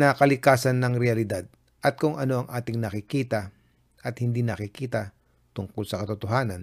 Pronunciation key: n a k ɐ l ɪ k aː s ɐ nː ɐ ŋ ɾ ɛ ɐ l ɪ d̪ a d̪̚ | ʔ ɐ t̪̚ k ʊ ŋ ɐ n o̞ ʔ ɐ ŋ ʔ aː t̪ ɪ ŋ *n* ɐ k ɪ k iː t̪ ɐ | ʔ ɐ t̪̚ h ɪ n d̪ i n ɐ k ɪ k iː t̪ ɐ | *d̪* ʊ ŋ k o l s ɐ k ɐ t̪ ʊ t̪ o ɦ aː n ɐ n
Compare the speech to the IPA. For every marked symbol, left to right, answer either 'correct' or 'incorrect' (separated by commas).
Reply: correct, incorrect